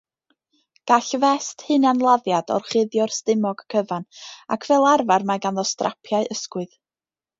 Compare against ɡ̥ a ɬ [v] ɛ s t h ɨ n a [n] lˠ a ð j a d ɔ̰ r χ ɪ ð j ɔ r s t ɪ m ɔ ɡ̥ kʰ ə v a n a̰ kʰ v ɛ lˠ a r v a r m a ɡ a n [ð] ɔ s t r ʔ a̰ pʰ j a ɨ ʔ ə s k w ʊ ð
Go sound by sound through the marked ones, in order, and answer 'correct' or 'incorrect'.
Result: correct, correct, correct

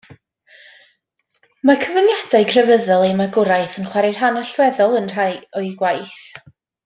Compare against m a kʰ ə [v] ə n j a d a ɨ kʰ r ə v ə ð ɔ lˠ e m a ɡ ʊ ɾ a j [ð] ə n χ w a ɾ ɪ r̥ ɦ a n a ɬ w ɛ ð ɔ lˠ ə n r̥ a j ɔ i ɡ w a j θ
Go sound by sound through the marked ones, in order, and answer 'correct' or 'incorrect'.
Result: correct, incorrect: θ

